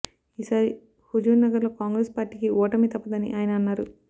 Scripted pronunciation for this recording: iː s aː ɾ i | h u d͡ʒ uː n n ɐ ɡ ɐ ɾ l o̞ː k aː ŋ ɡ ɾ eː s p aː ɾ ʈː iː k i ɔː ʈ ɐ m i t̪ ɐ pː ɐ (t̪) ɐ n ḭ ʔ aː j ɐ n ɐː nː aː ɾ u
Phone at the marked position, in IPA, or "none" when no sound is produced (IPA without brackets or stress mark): d̪